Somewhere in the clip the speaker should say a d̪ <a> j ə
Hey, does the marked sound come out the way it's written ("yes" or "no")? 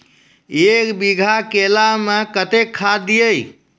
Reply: no